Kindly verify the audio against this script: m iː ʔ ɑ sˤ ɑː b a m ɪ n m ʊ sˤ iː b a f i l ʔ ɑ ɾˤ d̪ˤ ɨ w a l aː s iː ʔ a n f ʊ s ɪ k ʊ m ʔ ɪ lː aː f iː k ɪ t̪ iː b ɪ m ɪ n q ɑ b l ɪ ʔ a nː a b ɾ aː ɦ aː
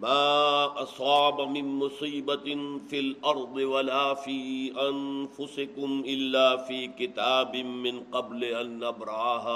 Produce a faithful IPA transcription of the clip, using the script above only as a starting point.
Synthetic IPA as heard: m aː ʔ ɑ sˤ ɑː b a m ɪ n m ʊ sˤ iː b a f i l ʔ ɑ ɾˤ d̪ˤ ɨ w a l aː f iː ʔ a n f ʊ s ɪ k ʊ m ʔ ɪ lː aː f iː k ɪ t̪ aː b ɪ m ɪ n q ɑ b l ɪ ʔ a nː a b ɾ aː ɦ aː